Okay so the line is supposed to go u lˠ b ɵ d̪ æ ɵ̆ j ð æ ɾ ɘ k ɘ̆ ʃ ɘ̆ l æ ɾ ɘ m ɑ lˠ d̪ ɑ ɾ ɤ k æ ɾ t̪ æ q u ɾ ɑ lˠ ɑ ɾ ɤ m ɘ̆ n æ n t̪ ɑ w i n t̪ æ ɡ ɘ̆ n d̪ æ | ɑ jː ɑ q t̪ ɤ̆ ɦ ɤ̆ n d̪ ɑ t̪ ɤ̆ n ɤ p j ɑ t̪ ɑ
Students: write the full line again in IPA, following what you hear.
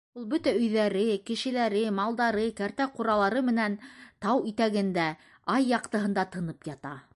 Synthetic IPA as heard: u lˠ b ɵ t̪ æ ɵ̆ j ð æ ɾ ɘ k ɘ̆ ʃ ɘ̆ l æ ɾ ɘ m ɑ lˠ d̪ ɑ ɾ ɤ k æ ɾ t̪ æ q u ɾ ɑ lˠ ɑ ɾ ɤ m ɘ̆ n æ n t̪ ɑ w i t̪ æ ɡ ɘ̆ n d̪ æ | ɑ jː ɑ q t̪ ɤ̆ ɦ ɤ̆ n d̪ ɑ t̪ ɤ̆ n ɤ p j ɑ t̪ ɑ